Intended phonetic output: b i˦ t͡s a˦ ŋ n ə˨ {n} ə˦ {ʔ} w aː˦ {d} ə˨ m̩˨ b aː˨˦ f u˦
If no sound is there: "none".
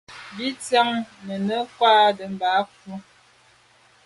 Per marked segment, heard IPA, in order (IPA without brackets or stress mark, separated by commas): n, k, d